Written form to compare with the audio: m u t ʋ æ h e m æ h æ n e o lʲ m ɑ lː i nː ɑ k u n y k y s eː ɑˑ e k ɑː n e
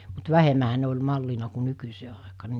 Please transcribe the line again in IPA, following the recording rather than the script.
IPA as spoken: m u t ʋ æ h e m æ h æ n e o lʲ m ɑ lː i n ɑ k u n y k y s eː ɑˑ e k ɑː n e

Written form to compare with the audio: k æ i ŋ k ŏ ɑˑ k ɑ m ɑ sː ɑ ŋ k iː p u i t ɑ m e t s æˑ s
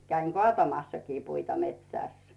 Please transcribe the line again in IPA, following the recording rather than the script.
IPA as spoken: k æ i ŋ k ŏ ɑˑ t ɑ m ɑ sː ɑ k iː p u i t ɑ m e t s æˑ s

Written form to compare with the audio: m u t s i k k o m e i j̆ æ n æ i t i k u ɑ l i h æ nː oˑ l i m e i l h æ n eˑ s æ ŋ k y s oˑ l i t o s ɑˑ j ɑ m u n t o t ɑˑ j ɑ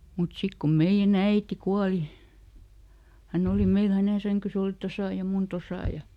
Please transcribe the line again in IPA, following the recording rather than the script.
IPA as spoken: m u t s i k k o m e i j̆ æ n æ i t i k u ɑ l i h æ nː oˑ l i m e i l h æ n eˑ s æ ŋ k y s oˑ l i t o s ɑˑ j ɑ m u n t o s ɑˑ j ɑ

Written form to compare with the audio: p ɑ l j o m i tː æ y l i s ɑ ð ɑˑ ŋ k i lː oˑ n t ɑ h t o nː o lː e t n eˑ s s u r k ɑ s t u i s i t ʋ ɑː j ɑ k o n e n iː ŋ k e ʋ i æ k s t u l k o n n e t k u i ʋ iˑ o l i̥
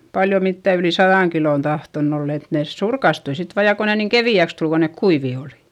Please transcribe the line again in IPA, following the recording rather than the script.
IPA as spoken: p ɑ l j o m i tː æ y l i s ɑ ð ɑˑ ŋ k i l oˑ n t ɑ h t o nː o lː e t n eˑ s s u r k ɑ s t u i s i t ʋ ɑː j ɑ k o n e n iː ŋ k e ʋ i æ k s t u l k o n n e k k u i ʋ iˑ o l i̥

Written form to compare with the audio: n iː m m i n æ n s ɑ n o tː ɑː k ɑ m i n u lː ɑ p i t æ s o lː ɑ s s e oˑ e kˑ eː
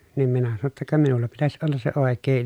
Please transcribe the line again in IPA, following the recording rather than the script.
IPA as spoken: n iː m m i n æ s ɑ n o tː ɑ k ɑ m i n u lː ɑ p i t æ s o lː ɑ s s e oˑ e kˑ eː

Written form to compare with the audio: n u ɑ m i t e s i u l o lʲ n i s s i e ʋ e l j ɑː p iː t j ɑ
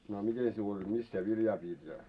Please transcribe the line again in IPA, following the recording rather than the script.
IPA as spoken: n o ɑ m i t e s i u l o lʲ m i s s i e ʋ i l j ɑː p iː t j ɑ

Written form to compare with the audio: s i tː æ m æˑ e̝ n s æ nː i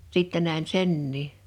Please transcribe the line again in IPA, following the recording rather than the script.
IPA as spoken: s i tː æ n æˑ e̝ n s e nː iː

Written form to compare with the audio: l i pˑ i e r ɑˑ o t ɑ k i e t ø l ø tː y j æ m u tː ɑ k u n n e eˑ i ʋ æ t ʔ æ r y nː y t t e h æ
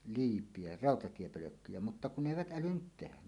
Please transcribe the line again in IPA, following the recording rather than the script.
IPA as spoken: l iː pˑ i e r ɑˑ o t ɑ t i e p ø l ø kː y j æ m u tː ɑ k u n n e eˑ i ʋ æ t ʔ æ l y nː y t t e h æ

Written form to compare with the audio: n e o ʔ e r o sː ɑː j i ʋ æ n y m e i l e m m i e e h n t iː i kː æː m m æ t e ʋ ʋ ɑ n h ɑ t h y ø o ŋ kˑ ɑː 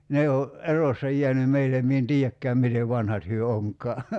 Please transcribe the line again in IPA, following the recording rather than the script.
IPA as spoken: n e o ʔ e r o sː ɑ j i æ n y m e i l e m m i e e n t iː æ kː æː m m i t e ʋ ʋ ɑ n h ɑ t h y ø o ŋ kˑ ɑː

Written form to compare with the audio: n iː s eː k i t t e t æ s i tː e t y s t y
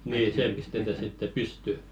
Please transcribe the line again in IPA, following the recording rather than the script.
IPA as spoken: n iː s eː p i s t e t æ s i tː e p y s t y

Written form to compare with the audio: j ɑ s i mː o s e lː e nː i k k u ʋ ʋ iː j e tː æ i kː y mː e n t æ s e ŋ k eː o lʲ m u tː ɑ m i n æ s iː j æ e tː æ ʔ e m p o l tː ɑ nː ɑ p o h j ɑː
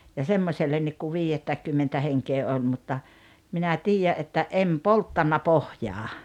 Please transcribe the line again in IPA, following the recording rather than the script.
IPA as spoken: j ɑ s e mː o s e lː e nː i k k u ʋ ʋ iː j e tː æ i kː y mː e n t æ h e ŋ k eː o lʲ m u tː ɑ m i n æ t iː j æ e tː æ ʔ e m p o l tː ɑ nː ɑ p o h j ɑː

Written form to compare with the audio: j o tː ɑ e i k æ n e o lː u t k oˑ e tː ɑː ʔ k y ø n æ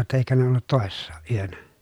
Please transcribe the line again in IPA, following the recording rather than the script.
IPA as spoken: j o tː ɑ e i k æ n e o lː u t t oˑ e sː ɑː ʔ ʔ y ø n æ

